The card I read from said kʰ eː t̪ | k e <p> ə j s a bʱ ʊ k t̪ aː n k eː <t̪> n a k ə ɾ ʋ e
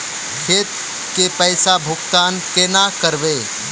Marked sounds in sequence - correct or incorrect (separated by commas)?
correct, incorrect